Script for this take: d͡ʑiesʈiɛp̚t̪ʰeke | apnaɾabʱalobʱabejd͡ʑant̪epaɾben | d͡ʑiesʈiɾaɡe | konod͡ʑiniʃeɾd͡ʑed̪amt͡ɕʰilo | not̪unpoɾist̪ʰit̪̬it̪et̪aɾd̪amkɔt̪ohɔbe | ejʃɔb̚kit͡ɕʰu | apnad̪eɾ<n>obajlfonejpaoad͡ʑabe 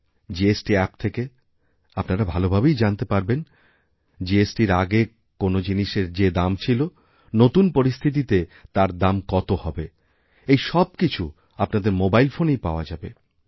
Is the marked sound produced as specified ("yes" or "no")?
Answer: no